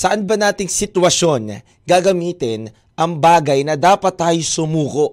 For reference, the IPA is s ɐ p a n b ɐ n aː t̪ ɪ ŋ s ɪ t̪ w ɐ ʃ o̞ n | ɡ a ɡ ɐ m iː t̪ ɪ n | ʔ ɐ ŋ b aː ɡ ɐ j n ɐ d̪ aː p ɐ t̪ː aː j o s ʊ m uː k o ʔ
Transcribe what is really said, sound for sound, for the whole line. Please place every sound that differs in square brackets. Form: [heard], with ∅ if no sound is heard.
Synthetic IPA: s ɐ [ʔ] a n b ɐ n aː t̪ ɪ ŋ s ɪ t̪ w ɐ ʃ o̞ n | ɡ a ɡ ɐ m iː t̪ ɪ n | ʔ ɐ ŋ b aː ɡ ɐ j n ɐ d̪ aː p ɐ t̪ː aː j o s ʊ m uː k o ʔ